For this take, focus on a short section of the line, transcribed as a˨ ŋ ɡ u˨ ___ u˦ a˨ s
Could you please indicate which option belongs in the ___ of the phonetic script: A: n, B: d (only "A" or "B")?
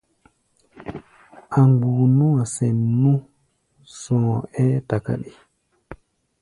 A